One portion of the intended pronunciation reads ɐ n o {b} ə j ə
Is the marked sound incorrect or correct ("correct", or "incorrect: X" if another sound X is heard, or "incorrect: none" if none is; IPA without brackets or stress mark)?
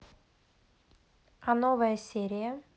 incorrect: v